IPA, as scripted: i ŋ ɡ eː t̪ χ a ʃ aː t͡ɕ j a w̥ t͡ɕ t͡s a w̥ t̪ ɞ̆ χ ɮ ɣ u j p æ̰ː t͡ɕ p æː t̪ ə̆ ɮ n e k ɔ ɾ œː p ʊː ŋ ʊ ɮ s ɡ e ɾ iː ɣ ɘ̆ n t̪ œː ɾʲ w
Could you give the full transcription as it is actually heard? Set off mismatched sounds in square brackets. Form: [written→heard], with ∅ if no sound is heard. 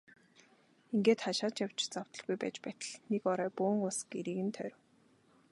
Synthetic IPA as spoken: i ŋ ɡ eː t̪ χ a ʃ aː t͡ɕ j a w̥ t͡ɕ t͡s a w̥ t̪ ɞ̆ [χ→∅] ɮ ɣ u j p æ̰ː t͡ɕ p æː t̪ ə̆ ɮ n e k ɔ ɾ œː p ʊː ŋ ʊ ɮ s ɡ e ɾ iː ɣ ɘ̆ n [t̪→t̪ʰ] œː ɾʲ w